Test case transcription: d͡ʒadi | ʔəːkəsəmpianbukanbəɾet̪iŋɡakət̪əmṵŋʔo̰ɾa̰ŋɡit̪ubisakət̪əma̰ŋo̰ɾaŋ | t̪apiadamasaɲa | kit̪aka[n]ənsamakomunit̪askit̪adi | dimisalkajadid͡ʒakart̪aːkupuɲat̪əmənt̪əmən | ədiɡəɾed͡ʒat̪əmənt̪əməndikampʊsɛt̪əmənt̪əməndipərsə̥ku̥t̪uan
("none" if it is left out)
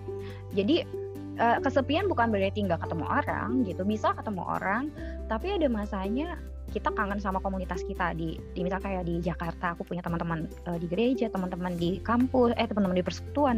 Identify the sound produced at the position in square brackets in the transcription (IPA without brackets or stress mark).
ŋ